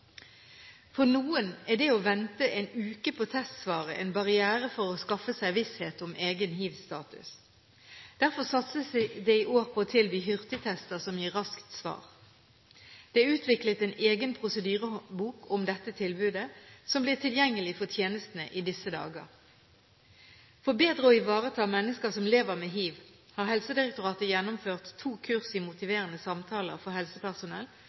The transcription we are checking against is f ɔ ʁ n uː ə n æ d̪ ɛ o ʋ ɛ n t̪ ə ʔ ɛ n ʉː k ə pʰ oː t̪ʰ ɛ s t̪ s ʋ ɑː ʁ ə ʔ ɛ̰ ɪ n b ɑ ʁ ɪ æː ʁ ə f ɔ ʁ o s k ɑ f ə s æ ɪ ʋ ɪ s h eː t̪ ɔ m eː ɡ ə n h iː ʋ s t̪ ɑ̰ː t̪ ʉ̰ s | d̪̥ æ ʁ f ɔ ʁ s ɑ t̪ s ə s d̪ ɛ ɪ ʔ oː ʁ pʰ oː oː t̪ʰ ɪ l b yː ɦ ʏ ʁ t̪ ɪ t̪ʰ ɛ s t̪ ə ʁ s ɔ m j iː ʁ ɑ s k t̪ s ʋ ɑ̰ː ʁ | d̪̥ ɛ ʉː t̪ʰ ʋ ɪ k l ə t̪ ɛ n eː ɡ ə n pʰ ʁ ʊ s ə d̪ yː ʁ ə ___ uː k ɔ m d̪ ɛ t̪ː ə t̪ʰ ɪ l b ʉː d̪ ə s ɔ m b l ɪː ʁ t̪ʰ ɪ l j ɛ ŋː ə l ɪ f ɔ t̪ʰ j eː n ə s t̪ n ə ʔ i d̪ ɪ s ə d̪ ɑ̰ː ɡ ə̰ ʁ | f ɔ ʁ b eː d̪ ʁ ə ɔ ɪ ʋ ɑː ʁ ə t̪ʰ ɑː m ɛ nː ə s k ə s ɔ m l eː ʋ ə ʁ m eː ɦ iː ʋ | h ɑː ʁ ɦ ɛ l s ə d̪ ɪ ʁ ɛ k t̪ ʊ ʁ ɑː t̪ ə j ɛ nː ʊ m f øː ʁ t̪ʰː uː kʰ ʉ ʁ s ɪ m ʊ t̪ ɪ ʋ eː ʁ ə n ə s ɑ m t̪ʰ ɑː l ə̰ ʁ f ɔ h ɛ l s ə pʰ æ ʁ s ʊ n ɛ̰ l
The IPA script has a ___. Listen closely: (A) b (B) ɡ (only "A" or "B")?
A